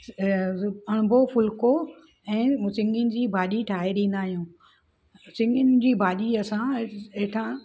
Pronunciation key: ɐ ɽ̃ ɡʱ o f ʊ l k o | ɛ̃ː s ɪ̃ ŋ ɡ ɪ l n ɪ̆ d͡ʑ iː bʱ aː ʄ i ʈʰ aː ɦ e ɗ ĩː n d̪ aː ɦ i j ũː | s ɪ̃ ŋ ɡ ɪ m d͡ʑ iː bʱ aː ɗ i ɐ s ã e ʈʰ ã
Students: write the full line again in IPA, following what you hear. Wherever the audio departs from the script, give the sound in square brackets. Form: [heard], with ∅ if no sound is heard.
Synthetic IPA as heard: ɐ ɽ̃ [bʱ] o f ʊ l k o | ɛ̃ː s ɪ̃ ŋ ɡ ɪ [∅] n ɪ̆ d͡ʑ iː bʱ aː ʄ i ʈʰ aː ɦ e ɗ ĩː n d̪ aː ɦ i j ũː | s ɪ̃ ŋ ɡ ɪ [n] d͡ʑ iː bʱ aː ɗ i ɐ s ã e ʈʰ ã